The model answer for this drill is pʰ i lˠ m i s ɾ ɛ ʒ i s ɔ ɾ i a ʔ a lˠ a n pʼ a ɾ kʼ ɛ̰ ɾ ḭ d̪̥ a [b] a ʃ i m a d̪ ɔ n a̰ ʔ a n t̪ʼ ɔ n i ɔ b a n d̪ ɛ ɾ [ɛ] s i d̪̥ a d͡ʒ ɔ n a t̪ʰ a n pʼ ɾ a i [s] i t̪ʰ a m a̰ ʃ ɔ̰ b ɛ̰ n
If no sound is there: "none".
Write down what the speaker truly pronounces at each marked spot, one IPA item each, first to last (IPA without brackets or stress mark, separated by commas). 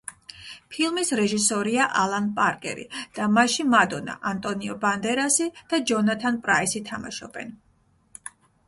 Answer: m, a, s